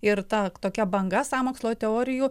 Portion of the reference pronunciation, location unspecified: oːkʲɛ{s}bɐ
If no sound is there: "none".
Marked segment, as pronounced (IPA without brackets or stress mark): none